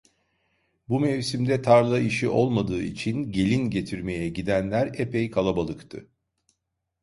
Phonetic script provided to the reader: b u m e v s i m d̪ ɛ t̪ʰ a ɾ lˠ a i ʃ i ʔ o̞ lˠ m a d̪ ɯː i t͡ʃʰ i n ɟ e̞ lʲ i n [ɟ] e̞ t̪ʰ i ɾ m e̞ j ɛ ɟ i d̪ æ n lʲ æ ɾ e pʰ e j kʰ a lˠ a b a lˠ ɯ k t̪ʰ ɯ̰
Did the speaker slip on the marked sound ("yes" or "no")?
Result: no